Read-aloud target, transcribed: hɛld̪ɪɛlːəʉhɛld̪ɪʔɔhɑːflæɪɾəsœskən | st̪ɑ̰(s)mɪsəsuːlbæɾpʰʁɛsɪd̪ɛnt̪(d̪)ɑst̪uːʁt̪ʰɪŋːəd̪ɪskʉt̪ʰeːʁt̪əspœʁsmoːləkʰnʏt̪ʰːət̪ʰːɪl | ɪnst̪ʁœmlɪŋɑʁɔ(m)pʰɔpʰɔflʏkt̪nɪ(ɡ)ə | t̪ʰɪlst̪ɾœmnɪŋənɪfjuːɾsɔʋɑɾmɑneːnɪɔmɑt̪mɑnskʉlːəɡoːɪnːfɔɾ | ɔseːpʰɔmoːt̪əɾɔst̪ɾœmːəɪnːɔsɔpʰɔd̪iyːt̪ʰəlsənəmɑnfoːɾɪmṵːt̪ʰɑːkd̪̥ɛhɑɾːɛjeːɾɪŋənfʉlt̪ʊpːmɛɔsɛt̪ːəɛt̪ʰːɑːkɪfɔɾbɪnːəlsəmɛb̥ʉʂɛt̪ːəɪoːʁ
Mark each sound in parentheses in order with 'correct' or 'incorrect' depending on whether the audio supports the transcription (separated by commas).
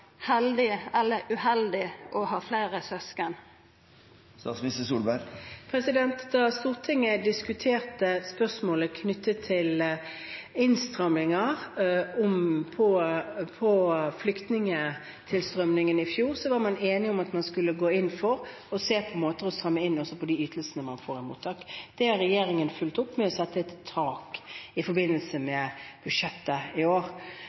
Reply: correct, correct, correct, incorrect